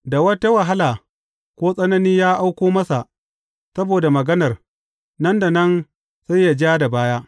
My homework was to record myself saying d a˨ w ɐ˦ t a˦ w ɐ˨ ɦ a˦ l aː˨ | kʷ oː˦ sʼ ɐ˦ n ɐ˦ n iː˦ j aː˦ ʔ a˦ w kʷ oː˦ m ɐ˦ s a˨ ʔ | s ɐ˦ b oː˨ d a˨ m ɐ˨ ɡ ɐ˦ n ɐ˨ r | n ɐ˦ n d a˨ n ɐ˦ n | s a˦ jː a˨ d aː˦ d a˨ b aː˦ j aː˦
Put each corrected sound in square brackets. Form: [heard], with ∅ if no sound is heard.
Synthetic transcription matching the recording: d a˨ w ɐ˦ t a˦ w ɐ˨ ɦ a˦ l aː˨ | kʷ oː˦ sʼ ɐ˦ n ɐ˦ n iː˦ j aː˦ ʔ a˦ w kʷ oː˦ m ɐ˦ s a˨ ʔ | s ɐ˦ b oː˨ d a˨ m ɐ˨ ɡ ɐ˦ n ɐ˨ r | n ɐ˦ n d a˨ n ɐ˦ n | s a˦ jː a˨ [d͡ʒ] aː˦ d a˨ b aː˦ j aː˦

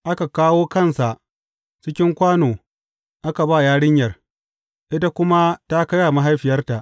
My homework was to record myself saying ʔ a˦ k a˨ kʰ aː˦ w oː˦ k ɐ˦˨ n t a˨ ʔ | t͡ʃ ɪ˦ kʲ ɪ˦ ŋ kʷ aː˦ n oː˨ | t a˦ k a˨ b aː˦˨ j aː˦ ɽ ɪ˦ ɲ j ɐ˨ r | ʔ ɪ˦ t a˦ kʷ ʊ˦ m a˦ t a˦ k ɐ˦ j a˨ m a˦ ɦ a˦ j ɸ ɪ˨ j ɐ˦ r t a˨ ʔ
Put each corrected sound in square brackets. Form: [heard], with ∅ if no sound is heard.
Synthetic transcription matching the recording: ʔ a˦ k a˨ [k] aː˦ w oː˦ k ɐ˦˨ n [s] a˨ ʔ | t͡ʃ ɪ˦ kʲ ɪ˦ ŋ kʷ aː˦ n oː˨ | [ʔ] a˦ k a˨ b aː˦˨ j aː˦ ɽ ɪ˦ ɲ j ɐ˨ r | ʔ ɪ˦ t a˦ kʷ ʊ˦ m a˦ t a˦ k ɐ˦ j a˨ m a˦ ɦ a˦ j ɸ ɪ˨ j ɐ˦ r t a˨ ʔ

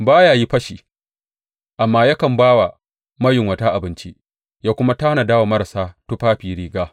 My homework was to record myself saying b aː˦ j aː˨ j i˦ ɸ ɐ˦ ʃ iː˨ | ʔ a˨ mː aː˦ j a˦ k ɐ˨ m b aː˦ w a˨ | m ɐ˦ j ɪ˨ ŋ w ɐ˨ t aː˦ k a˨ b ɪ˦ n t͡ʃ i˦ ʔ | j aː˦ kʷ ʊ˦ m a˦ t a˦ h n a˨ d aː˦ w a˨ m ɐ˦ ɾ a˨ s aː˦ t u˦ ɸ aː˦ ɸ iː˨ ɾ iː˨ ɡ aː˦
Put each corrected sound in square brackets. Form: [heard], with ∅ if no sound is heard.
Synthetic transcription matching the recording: b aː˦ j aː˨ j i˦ ɸ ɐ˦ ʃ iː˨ | ʔ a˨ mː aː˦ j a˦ k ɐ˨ m b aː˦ w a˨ | m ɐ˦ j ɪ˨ ŋ w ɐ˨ t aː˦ [ʔ] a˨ b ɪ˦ n t͡ʃ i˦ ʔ | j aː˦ kʷ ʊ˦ m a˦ t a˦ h n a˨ d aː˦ w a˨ m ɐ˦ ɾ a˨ s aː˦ t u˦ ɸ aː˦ ɸ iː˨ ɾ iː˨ ɡ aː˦

